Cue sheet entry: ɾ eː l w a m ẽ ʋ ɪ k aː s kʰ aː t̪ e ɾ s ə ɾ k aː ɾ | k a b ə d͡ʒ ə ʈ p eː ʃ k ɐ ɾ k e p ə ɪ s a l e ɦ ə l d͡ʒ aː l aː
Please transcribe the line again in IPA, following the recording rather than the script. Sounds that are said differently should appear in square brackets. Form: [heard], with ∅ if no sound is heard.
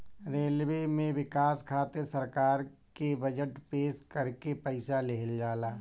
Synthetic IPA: ɾ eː l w [e] m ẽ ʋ ɪ k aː s kʰ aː t̪ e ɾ s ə ɾ k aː ɾ | k [e] b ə d͡ʒ ə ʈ p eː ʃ k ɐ ɾ k e p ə ɪ s a l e ɦ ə l d͡ʒ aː l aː

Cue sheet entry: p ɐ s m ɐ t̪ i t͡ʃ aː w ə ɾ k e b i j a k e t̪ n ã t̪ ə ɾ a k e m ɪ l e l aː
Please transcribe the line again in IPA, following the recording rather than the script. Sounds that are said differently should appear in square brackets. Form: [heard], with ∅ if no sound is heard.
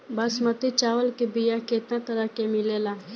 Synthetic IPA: [b] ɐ s m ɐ t̪ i t͡ʃ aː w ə [l] k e b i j a k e t̪ n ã t̪ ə ɾ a k e m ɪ l e l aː

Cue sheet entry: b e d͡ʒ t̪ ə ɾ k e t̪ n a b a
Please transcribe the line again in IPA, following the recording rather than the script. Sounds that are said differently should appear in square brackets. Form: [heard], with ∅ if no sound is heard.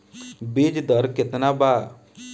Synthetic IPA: b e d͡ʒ [d̪] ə ɾ k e t̪ n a b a

